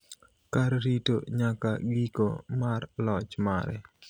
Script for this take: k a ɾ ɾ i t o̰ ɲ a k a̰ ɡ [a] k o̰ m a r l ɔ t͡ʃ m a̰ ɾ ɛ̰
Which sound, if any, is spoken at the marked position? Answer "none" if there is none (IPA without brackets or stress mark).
i